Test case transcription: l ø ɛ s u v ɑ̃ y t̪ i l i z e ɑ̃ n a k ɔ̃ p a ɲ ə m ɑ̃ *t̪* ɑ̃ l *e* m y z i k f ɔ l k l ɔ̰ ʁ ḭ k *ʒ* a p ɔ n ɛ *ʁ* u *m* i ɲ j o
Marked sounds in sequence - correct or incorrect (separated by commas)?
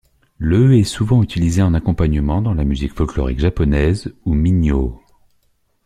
incorrect, incorrect, correct, incorrect, correct